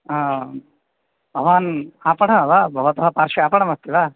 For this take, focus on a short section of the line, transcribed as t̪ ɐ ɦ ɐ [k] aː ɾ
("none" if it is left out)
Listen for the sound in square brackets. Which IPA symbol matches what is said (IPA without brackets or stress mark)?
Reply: p